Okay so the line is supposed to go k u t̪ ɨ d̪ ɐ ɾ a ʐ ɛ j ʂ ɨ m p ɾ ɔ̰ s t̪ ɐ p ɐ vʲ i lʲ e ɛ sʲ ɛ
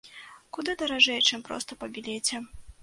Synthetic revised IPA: k u d̪ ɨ d̪ ɐ ɾ a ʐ ɛ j t͡ʂ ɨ m p ɾ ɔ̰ s t̪ ɐ p ɐ bʲ i lʲ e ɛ t͡sʲ ɛ